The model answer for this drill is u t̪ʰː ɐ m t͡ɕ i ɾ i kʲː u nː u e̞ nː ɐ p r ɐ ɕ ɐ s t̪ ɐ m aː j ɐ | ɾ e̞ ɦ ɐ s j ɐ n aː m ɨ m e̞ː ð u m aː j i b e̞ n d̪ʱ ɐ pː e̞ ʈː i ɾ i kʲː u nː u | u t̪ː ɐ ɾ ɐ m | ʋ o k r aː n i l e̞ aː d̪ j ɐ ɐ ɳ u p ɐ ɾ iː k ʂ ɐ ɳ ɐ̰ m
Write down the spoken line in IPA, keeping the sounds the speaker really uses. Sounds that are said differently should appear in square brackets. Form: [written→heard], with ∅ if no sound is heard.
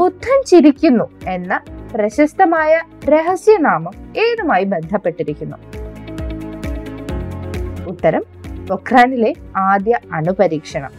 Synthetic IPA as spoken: u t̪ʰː ɐ m t͡ɕ i ɾ i kʲː u nː u e̞ nː ɐ p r ɐ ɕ ɐ s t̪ ɐ m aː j ɐ | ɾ e̞ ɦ ɐ s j ɐ n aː m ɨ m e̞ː ð u m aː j i b e̞ n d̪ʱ ɐ pː e̞ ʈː i ɾ i kʲː u nː u | u t̪ː ɐ ɾ ɐ m | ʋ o k r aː n i l e̞ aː d̪ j ɐ ɐ ɳ u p ɐ ɾ iː k ʂ ɐ ɳ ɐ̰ m